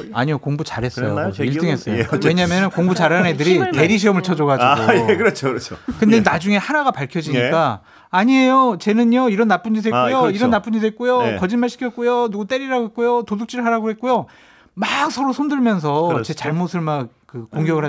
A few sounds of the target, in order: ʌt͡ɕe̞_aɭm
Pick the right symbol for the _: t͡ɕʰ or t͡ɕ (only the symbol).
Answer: t͡ɕ